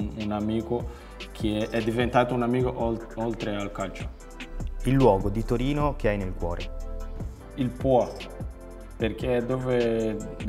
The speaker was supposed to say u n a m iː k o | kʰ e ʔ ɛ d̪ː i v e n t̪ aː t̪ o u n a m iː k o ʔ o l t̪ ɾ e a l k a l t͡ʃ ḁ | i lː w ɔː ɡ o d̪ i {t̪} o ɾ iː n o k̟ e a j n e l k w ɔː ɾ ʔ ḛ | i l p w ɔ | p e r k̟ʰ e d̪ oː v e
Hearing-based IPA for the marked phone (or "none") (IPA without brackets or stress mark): t̪